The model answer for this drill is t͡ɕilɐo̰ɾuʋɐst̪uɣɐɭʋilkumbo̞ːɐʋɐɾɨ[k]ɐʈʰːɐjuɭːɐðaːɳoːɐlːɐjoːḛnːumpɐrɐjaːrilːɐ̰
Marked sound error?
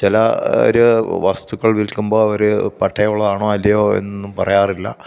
yes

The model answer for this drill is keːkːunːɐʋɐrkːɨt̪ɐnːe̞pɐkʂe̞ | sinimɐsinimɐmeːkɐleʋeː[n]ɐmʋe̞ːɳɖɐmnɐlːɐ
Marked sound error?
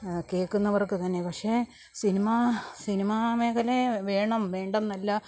yes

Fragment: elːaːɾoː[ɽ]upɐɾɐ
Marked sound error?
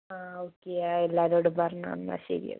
no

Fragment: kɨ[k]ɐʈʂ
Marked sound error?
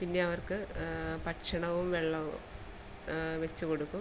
yes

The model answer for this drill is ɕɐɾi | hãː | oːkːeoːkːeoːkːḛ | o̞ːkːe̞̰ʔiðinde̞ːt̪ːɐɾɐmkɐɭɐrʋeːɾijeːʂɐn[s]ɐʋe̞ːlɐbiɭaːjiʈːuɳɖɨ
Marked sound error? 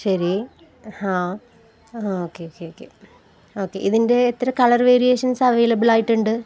no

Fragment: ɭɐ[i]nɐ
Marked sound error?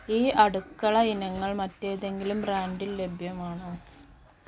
no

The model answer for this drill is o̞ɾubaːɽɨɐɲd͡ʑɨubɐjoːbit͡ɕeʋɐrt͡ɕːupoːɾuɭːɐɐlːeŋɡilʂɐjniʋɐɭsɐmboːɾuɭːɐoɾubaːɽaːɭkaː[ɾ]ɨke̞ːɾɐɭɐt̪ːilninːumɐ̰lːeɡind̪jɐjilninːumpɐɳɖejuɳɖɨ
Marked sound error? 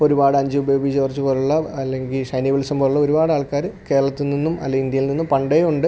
no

